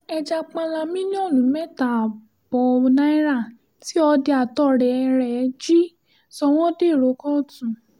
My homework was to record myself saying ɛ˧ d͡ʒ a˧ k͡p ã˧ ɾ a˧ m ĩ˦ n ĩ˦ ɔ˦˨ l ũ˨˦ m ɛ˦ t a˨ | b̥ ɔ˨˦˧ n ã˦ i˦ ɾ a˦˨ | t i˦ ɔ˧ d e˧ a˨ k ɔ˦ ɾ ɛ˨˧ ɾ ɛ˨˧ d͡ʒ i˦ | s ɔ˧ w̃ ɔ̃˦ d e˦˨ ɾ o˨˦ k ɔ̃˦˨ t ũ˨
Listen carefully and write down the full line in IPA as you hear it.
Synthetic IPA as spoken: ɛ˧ d͡ʒ a˧ k͡p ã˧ l a˧ m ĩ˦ n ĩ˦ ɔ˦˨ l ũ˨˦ m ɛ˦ t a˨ | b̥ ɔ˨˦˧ n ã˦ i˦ ɾ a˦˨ | t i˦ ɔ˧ d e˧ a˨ t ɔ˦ ɾ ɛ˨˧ ɾ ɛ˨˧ d͡ʒ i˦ | s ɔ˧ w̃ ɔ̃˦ d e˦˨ ɾ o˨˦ k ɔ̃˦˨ t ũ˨